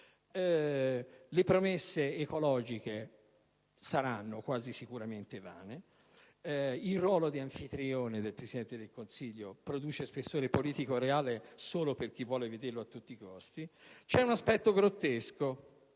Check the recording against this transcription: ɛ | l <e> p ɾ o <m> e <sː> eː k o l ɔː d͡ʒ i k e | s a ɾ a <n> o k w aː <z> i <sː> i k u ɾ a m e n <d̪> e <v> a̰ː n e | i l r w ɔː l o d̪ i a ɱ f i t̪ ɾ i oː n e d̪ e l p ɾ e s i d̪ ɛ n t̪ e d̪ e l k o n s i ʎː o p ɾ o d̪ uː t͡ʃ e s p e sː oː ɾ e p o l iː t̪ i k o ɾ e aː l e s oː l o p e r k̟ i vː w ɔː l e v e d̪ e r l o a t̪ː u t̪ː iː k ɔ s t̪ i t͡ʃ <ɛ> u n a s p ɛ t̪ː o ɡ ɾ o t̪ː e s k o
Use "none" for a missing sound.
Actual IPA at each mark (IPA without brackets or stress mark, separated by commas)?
e, m, sː, nː, z, s, t̪, v, ɛ